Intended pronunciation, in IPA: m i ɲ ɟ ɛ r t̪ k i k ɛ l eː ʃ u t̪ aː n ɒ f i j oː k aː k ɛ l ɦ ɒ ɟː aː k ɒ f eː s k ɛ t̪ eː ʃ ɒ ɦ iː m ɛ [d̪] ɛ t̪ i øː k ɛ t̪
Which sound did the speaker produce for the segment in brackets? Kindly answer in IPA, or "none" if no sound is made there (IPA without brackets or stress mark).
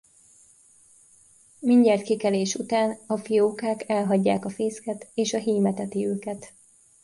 t̪